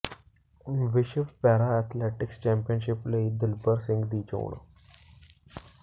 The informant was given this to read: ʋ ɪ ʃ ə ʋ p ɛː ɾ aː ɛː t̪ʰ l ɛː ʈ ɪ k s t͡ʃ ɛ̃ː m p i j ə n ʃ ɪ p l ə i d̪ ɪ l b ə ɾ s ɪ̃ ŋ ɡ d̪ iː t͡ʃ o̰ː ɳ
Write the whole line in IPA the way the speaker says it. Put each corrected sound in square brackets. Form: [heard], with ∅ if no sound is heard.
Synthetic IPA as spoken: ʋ ɪ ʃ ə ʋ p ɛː ɾ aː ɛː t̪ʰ l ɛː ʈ ɪ k s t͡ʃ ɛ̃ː m p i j ə n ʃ ɪ p l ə i d̪ ɪ l b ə ɾ s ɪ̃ ŋ ɡ d̪ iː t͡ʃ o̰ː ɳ